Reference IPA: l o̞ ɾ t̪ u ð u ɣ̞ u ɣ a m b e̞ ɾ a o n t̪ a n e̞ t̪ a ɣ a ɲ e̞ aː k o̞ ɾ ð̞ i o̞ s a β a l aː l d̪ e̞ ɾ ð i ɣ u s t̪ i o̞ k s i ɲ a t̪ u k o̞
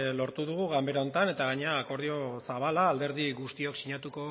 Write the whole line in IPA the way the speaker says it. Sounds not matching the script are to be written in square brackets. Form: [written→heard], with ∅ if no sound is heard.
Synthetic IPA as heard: l o̞ ɾ t̪ u ð u ɣ̞ u ɣ a m b e̞ ɾ a o n t̪ a n e̞ t̪ a ɣ a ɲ e̞ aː k o̞ ɾ ð̞ i o̞ s a β a l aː l d̪ e̞ ɾ ð i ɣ u s t̪ i o̞ k s i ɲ a t̪ u k o̞